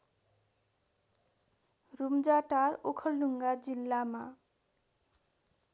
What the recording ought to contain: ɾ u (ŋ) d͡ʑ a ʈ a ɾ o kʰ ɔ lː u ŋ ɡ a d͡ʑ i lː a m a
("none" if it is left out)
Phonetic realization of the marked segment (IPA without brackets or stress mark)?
m